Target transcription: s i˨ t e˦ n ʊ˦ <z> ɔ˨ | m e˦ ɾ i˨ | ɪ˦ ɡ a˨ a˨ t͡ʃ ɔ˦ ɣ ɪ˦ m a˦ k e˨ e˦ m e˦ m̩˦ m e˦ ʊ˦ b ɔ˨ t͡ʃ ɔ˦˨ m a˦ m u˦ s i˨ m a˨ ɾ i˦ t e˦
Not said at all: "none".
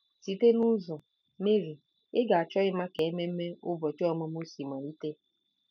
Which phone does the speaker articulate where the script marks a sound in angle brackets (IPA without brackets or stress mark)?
z